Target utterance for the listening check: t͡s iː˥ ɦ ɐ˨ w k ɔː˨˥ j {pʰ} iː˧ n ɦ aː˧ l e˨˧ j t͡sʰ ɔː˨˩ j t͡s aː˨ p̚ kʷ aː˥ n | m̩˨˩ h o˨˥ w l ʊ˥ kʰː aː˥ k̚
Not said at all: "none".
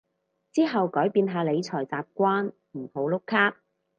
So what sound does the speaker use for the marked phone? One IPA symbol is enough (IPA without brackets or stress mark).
p